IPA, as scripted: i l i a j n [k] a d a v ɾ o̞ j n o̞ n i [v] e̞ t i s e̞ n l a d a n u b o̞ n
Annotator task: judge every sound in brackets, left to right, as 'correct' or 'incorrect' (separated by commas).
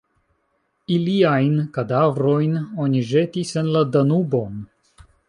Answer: correct, incorrect